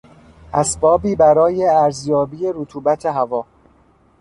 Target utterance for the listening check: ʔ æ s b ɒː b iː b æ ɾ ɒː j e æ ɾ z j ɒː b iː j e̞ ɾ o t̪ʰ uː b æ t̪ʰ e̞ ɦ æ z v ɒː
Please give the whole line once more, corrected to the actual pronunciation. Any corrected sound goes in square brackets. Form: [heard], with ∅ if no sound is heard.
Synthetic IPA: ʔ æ s b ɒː b iː b æ ɾ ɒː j e æ ɾ z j ɒː b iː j e̞ ɾ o t̪ʰ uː b æ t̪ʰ e̞ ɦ æ [∅] v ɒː